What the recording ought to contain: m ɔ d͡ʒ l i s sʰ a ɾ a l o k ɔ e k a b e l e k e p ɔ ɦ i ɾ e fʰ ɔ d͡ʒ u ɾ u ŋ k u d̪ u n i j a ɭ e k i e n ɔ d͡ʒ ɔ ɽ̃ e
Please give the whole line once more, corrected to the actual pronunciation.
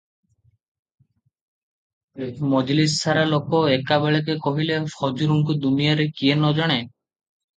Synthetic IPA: m ɔ d͡ʒ l i s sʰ a ɾ a l o k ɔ e k a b e ɭ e k e k ɔ ɦ i l e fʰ ɔ d͡ʒ u ɾ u ŋ k u d̪ u n i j a ɾ e k i e n ɔ d͡ʒ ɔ ɽ̃ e